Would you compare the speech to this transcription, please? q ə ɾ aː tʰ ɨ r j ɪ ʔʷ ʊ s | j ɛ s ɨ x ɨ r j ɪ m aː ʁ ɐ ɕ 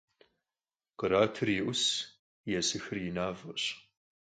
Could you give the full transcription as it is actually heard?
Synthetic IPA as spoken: q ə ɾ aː tʰ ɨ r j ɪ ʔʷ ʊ s | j ɛ s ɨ x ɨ r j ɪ n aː v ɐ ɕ